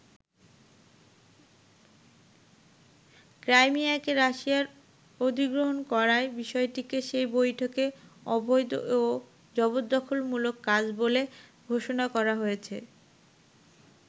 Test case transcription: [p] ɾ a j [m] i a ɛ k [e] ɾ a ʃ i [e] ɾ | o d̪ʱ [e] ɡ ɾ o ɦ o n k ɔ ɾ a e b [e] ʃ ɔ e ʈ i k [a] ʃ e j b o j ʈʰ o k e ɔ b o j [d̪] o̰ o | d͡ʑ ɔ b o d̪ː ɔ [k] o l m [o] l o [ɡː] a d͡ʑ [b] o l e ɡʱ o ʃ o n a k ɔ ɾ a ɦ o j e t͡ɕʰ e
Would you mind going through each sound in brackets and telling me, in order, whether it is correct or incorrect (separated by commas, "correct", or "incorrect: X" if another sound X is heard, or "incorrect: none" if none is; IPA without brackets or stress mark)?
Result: incorrect: k, correct, correct, incorrect: a, incorrect: i, incorrect: i, incorrect: e, correct, incorrect: kʰ, incorrect: u, incorrect: kː, correct